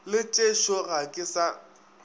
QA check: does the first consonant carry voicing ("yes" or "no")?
yes